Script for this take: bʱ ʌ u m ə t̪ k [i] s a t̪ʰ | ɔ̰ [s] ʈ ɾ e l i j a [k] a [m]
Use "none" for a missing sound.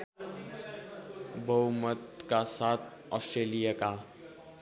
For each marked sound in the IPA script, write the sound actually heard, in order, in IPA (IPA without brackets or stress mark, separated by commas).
a, s, k, none